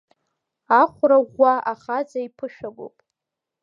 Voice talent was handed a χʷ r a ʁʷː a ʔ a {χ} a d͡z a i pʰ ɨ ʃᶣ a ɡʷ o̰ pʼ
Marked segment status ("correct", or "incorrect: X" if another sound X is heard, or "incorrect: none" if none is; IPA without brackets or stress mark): correct